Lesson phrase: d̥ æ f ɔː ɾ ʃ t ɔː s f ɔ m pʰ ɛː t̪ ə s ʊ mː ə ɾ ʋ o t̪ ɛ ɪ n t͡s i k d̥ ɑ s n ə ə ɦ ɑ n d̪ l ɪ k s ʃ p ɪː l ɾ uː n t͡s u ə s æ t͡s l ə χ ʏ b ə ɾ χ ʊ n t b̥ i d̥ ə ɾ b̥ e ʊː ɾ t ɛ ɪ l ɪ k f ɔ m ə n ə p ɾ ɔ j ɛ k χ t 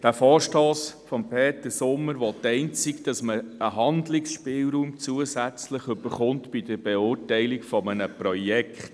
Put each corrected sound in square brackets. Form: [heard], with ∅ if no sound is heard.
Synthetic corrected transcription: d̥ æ f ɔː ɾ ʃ t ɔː s f ɔ m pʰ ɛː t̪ ə s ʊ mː ə ɾ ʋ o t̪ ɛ ɪ n t͡s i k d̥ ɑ s [m] ə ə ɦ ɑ n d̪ l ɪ k s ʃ p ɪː l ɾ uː [m] t͡s u ə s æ t͡s l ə χ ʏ b ə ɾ χ ʊ n t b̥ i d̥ ə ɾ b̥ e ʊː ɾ t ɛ ɪ l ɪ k f ɔ m ə n ə p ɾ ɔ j ɛ k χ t